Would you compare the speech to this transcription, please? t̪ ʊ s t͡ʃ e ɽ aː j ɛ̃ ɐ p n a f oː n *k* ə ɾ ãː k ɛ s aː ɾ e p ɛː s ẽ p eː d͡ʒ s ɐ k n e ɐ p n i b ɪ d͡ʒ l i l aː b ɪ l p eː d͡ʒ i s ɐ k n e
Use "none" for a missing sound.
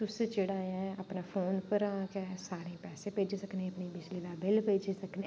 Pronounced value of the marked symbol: p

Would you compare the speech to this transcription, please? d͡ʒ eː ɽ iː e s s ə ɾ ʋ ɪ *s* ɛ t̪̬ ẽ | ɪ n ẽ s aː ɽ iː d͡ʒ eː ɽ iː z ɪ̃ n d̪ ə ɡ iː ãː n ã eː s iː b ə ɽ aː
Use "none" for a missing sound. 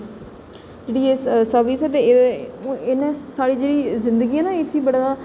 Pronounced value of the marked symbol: s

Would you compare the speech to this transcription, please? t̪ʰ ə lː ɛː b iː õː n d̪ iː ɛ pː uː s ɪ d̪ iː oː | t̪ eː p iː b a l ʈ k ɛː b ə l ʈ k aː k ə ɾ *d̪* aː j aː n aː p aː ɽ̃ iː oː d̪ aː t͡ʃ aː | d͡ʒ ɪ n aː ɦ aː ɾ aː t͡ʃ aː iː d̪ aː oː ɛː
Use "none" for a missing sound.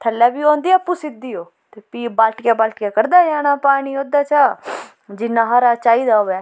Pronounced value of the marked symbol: d̪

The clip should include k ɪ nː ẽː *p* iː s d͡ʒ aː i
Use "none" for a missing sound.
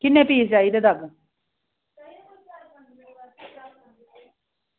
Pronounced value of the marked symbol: p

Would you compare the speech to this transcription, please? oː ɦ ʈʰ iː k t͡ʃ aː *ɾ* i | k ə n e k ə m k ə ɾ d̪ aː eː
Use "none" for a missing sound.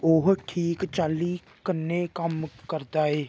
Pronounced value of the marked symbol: l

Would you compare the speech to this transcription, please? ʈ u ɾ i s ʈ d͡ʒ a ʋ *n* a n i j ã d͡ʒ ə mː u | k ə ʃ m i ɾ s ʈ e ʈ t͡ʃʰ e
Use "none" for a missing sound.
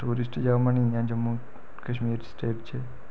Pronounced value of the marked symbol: m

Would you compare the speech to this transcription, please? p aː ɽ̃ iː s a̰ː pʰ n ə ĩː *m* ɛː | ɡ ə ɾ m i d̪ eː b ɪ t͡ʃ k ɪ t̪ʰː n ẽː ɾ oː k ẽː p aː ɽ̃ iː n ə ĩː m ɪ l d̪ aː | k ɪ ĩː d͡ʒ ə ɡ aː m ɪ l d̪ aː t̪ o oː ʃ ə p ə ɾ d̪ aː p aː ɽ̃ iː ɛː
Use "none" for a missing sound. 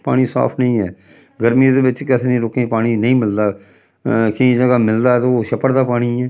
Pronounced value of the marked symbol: none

